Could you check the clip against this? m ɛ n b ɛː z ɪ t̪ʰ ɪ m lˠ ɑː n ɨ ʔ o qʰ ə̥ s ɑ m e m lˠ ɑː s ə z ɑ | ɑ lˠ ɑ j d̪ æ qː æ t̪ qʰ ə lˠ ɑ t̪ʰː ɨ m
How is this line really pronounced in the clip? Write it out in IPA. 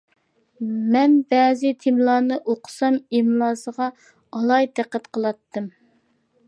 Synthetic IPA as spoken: m ɛ n b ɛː z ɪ t̪ʰ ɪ m lˠ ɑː n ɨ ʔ o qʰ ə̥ s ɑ m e m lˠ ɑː s ə ʁ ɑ | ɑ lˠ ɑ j d̪ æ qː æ t̪ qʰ ə lˠ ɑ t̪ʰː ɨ m